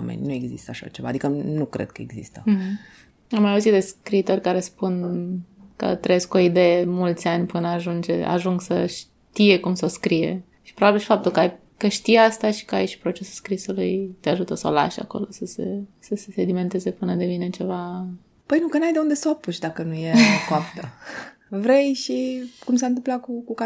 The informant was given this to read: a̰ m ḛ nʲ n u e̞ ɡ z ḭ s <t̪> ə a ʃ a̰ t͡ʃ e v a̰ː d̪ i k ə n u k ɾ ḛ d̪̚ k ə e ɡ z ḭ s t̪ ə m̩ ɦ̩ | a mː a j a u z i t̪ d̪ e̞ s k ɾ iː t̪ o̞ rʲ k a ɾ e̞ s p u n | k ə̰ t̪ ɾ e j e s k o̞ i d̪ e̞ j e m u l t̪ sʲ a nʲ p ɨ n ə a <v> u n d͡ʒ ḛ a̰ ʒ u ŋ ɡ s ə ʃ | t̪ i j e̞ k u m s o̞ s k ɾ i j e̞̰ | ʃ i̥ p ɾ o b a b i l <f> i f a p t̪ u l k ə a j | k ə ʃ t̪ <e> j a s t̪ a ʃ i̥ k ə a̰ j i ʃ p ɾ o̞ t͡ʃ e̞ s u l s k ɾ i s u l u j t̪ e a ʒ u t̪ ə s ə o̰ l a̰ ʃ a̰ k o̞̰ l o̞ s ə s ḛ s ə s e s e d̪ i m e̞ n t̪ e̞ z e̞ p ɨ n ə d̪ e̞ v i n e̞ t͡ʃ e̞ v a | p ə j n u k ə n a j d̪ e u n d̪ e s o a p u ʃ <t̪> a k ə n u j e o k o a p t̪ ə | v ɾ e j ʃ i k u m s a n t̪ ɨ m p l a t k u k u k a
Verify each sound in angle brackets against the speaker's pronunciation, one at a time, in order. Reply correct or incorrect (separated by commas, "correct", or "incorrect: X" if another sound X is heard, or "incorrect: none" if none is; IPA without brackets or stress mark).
correct, incorrect: ʒ, incorrect: ʃ, incorrect: i, incorrect: d̪